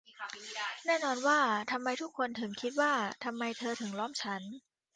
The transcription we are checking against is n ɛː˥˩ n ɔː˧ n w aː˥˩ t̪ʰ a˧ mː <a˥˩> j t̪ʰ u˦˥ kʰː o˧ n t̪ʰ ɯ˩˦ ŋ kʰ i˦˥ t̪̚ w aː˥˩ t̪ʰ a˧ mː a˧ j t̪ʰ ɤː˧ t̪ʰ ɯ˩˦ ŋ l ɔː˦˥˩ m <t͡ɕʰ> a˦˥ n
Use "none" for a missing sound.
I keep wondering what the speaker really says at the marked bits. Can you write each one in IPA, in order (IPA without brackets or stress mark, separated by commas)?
a˧, t͡ɕʰ